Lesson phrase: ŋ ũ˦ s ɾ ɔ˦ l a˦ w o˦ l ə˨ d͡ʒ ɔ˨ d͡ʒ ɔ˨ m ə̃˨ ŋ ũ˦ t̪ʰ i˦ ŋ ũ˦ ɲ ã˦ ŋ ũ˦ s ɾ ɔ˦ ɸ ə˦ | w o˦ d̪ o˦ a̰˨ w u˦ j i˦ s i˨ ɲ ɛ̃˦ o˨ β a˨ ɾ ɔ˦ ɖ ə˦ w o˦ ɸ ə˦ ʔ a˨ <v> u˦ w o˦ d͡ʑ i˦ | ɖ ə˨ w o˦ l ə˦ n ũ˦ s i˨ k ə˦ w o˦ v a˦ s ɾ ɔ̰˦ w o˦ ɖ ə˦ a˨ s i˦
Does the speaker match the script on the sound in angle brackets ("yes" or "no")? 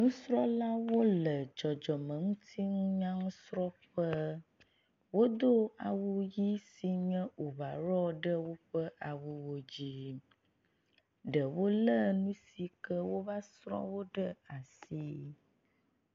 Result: no